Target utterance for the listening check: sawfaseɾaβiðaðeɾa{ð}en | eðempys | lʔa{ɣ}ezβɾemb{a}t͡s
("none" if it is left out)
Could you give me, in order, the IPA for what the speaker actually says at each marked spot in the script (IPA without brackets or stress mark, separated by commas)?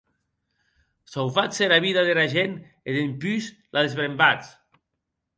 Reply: ʒ, ð, a